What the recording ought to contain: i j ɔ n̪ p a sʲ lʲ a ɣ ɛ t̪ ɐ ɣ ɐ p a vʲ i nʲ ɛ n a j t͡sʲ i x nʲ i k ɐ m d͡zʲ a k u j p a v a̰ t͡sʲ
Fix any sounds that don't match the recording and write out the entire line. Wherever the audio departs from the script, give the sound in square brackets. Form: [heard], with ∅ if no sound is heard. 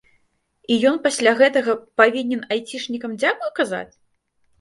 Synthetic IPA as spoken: i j ɔ n̪ p a sʲ lʲ a ɣ ɛ t̪ ɐ ɣ ɐ p a vʲ i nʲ ɛ n a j t͡sʲ i [ʂ] nʲ i k ɐ m d͡zʲ a k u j [k] a [z] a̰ t͡sʲ